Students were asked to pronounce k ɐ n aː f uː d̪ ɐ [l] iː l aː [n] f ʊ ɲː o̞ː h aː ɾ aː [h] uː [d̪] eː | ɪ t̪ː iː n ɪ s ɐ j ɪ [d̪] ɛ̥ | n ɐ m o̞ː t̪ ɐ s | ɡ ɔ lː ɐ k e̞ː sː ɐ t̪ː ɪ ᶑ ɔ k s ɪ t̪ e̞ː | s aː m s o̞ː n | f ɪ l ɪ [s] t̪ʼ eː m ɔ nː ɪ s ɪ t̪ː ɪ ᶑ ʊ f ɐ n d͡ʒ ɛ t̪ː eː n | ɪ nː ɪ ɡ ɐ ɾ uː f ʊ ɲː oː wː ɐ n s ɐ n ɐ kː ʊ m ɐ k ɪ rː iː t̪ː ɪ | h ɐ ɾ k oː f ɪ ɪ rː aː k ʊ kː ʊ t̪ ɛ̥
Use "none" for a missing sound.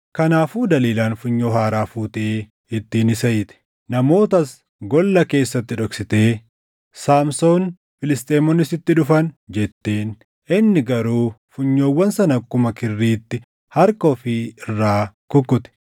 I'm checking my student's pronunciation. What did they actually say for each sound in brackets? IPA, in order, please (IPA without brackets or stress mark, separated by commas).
l, n, f, t̪, t̪, s